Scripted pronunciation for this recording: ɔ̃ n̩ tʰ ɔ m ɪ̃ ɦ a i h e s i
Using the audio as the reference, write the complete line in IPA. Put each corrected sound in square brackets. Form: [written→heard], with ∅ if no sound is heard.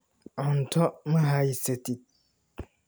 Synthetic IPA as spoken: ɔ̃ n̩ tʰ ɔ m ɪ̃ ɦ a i [h→s] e [s→t] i